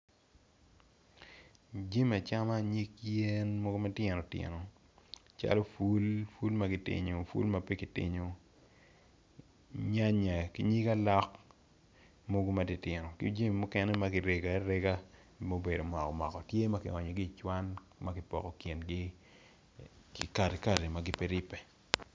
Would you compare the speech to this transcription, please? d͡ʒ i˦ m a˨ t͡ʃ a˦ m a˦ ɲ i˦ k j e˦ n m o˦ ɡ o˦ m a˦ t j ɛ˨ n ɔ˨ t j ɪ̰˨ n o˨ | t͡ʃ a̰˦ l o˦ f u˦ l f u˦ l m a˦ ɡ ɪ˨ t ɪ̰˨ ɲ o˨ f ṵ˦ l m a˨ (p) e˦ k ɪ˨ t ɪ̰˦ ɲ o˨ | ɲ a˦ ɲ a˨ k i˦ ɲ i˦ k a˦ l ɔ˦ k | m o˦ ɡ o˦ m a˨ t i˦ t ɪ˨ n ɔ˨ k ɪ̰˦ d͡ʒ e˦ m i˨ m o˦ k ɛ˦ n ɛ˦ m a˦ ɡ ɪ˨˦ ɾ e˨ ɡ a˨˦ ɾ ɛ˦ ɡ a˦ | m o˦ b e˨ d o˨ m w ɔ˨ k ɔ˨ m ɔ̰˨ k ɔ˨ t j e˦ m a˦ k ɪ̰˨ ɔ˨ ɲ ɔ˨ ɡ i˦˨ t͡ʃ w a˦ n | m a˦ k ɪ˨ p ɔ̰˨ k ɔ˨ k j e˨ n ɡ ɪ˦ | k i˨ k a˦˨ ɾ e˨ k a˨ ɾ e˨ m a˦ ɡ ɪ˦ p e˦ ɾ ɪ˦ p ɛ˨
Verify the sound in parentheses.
correct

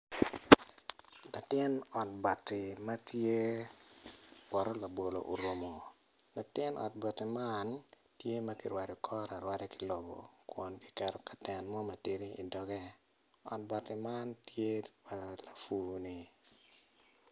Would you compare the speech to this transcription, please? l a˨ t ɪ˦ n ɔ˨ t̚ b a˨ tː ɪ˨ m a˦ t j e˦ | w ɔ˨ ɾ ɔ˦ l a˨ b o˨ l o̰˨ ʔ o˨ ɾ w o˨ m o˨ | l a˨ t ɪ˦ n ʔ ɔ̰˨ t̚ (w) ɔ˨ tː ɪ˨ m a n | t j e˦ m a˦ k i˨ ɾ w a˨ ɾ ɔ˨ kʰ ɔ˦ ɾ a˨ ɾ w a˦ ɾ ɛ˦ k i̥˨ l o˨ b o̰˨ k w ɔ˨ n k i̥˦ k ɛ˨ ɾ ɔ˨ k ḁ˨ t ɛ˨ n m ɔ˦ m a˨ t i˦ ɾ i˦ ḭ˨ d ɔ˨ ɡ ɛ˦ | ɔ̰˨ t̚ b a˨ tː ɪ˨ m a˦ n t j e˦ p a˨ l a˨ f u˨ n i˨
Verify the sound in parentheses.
incorrect: b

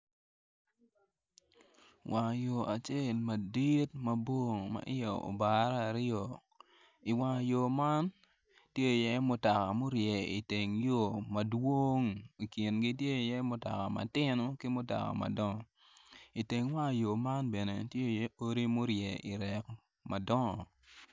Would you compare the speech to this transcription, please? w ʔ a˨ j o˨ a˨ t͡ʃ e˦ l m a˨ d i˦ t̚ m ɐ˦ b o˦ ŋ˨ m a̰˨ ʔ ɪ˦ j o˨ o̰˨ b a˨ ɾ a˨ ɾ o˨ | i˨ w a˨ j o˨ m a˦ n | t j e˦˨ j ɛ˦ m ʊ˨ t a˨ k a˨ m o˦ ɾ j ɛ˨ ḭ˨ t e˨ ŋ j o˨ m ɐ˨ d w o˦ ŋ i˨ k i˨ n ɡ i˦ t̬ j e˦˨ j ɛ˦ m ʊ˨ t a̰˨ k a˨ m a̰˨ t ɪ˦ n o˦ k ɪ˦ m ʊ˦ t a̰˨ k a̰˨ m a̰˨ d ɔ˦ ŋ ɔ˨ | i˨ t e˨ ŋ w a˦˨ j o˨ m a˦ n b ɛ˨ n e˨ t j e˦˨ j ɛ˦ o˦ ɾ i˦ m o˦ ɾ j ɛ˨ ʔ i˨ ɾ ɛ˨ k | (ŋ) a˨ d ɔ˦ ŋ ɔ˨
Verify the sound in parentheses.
incorrect: m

